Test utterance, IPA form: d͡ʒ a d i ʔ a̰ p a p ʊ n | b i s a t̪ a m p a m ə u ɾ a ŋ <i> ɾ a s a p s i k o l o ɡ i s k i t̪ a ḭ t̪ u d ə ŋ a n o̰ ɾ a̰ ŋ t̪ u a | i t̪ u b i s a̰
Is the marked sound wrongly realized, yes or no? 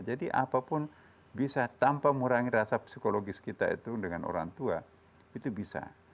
no